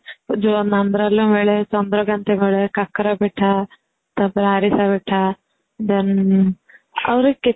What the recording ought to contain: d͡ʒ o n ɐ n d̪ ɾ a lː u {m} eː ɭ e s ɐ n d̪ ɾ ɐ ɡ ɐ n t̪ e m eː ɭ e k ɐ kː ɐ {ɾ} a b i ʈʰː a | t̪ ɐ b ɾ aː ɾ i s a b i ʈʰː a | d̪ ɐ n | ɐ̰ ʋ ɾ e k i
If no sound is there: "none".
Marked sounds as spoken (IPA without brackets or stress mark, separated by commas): m, ɾ